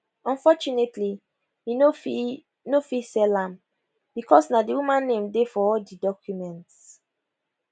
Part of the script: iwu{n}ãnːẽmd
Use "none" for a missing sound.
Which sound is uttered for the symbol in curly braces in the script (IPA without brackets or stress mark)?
m